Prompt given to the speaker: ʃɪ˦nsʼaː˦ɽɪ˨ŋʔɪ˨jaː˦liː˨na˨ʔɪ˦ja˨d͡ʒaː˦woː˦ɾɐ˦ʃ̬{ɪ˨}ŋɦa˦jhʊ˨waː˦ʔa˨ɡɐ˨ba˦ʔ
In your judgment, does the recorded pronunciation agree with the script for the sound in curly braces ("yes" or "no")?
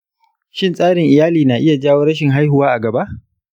yes